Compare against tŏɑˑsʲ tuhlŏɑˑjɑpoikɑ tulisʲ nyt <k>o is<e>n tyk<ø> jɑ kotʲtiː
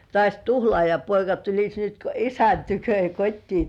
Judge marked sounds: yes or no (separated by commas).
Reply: yes, no, yes